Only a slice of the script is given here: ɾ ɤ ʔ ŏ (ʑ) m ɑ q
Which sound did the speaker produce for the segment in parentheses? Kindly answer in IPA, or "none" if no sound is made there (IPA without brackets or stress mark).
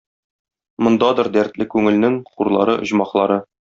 ʑ